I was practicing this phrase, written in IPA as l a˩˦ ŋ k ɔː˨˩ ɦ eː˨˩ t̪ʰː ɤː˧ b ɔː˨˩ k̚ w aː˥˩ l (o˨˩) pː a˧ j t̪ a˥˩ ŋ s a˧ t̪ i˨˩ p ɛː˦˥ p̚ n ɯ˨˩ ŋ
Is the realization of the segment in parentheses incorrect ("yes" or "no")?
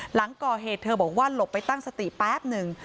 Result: no